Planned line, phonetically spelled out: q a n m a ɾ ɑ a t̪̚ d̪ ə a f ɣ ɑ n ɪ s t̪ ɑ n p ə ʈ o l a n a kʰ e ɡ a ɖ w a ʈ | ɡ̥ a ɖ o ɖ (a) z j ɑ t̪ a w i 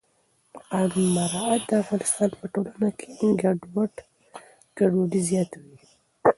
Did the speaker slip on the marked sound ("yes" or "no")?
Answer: yes